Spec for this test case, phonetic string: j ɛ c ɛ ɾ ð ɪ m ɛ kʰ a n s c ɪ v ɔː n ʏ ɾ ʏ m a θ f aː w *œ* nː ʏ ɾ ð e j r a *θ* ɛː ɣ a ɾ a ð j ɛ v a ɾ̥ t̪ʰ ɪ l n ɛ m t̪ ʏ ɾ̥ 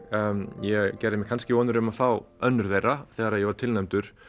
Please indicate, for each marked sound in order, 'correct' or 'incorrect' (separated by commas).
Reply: correct, correct